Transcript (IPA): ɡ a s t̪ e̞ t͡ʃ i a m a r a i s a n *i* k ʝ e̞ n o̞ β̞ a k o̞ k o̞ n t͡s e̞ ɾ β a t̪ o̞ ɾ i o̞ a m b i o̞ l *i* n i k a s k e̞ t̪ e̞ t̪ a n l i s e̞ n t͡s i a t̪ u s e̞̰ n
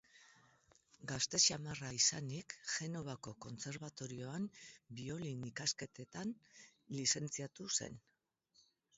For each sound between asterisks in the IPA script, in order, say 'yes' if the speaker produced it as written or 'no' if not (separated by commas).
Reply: yes, yes